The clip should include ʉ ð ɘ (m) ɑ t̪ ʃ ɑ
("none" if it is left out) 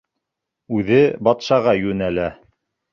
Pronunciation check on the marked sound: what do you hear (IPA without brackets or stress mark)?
b